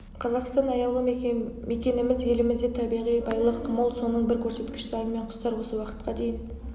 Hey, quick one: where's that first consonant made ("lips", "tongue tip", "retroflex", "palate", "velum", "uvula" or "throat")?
uvula